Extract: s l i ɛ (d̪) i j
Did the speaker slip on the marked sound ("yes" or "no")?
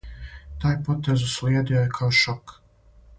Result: no